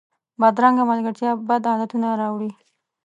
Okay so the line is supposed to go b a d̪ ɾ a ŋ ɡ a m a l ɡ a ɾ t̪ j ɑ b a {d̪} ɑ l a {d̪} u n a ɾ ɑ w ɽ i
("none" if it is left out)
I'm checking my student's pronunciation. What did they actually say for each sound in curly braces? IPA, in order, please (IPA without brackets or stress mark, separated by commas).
d̪, t̪